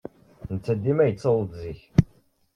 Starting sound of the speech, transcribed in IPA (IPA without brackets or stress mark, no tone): n